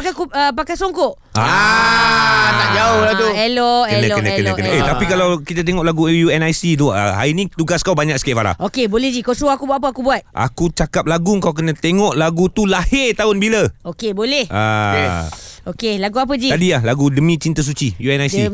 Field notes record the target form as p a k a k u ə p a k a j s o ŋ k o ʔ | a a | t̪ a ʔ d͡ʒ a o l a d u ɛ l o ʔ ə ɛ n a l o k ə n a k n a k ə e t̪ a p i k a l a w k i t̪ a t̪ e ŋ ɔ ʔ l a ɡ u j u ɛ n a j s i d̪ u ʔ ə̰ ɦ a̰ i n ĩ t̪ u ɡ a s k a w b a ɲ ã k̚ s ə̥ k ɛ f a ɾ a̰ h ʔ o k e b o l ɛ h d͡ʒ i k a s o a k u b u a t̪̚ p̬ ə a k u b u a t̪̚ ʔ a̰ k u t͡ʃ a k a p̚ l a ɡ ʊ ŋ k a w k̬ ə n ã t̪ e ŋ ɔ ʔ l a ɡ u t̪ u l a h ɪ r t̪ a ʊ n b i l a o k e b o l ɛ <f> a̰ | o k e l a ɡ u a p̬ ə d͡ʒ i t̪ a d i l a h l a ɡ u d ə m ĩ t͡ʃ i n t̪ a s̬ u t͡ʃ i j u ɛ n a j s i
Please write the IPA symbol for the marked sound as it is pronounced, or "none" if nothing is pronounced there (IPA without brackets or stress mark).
h